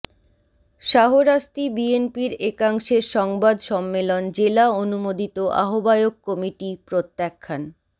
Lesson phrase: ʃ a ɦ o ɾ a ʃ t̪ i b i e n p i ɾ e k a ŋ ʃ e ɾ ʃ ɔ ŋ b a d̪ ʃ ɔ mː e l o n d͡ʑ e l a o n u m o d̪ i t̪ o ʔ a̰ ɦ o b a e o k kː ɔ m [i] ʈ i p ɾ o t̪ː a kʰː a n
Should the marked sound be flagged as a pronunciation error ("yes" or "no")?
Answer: no